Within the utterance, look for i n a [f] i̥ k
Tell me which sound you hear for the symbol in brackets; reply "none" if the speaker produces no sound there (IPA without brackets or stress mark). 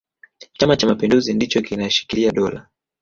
ʃ